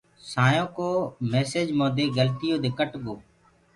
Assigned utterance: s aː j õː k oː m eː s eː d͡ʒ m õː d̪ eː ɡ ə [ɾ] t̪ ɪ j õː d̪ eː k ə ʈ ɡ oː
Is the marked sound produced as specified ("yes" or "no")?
no